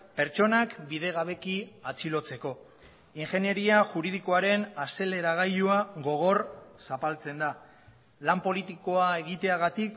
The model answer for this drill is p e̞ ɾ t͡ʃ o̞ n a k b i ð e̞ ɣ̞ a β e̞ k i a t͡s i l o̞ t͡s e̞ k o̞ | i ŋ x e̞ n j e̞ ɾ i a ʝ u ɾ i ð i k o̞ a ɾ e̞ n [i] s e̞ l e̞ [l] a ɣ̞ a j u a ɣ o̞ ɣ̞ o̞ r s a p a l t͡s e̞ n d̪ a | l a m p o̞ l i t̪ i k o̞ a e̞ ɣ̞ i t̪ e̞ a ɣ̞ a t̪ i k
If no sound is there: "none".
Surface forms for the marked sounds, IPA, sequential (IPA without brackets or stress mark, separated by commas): a, ɾ